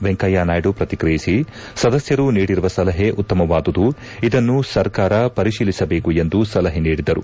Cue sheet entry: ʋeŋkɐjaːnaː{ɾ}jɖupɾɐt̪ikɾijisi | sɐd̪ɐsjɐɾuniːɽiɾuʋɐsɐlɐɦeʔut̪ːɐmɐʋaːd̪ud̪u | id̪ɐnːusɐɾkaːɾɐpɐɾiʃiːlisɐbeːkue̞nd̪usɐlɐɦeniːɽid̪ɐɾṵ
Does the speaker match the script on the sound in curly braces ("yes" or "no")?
no